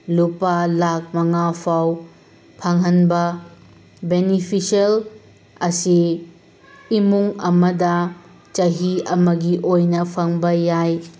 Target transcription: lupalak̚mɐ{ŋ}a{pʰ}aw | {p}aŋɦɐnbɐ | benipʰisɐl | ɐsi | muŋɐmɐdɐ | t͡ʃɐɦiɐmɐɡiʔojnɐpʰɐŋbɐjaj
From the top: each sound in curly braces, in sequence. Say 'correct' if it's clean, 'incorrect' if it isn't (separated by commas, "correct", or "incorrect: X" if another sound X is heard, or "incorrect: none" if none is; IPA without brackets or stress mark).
correct, correct, incorrect: pʰ